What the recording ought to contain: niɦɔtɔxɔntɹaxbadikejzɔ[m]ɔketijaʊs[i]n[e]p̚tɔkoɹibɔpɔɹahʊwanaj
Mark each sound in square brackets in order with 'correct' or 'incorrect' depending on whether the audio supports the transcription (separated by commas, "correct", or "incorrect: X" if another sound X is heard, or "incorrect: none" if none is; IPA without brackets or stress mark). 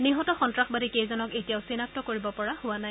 incorrect: n, correct, incorrect: a